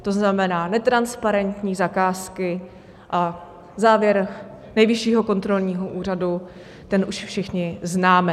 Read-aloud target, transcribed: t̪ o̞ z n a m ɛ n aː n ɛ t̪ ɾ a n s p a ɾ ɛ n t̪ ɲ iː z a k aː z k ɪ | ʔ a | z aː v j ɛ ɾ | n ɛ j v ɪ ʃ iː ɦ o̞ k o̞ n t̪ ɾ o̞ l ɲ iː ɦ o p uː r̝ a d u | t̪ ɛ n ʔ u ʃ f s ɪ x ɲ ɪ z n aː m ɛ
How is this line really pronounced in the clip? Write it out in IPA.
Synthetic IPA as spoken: t̪ o̞ z n a m ɛ n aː n ɛ t̪ ɾ a n s p a ɾ ɛ n t̪ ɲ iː z a k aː s k ɪ | ʔ a | z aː v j ɛ ɾ | n ɛ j v ɪ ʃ iː ɦ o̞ k o̞ n t̪ ɾ o̞ l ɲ iː ɦ o ʔ uː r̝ a d u | t̪ ɛ n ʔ u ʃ f ʃ ɪ x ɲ ɪ z n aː m ɛ